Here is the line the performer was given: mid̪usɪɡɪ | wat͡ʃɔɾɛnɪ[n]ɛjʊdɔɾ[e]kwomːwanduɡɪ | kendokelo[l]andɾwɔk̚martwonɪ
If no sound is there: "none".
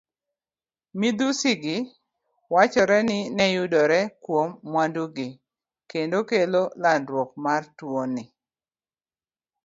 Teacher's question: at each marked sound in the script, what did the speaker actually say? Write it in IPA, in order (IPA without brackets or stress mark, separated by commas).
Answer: n, ɛ, l